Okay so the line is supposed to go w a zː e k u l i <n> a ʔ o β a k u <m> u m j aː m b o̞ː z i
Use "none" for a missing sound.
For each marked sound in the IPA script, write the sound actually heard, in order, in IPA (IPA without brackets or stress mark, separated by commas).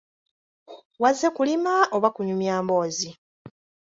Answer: m, ɲ